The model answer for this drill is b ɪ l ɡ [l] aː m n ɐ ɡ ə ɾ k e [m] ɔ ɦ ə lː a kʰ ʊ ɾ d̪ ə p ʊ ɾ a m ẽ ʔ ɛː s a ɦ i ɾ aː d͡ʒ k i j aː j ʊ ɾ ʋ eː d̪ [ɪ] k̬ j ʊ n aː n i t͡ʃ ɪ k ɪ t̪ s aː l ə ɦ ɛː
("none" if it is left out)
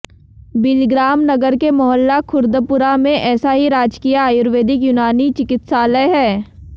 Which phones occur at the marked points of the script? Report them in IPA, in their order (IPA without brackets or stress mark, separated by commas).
ɾ, m, ɪ